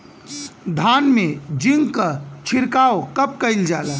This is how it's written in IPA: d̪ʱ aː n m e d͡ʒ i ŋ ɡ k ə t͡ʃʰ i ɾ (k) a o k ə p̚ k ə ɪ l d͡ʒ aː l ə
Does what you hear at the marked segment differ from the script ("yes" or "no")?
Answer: no